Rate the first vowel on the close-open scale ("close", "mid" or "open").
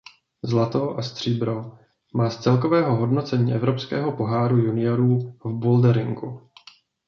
open